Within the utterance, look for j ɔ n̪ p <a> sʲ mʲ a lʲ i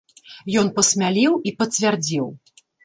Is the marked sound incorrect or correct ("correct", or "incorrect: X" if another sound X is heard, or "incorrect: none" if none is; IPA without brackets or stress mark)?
incorrect: ɐ